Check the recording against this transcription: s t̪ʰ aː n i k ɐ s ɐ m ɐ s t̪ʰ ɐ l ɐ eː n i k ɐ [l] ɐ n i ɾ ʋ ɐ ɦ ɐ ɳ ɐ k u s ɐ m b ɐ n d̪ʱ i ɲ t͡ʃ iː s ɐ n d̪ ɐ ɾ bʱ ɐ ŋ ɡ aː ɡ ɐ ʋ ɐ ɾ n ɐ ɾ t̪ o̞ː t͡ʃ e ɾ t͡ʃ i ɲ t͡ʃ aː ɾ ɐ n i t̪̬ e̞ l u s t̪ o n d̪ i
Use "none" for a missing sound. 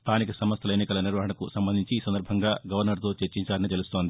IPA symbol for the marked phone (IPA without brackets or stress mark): l